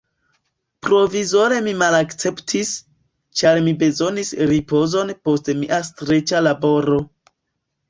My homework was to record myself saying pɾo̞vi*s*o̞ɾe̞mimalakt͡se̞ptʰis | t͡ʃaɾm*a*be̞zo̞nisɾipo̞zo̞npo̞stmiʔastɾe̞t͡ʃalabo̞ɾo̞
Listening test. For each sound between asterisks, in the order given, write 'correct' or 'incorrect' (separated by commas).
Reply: incorrect, incorrect